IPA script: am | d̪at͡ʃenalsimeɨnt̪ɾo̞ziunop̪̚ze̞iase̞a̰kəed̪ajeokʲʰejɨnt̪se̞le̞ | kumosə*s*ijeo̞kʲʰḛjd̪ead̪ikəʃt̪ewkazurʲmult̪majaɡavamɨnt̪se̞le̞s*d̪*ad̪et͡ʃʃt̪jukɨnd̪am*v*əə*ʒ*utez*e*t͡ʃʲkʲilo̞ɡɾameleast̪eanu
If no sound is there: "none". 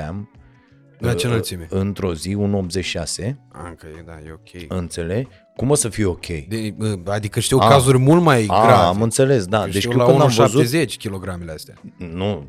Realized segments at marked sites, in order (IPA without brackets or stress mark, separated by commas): f, d̪, v, z, e